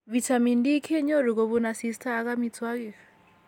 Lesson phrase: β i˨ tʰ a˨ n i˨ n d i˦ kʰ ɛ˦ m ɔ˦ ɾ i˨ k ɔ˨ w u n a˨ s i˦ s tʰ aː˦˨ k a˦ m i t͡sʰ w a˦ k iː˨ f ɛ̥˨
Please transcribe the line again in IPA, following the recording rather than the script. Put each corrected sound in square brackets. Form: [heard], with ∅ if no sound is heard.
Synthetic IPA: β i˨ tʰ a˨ [m] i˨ n d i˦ kʰ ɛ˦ [ɲ] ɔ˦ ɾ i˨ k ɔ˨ [β] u n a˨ s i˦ s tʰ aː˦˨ k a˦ m i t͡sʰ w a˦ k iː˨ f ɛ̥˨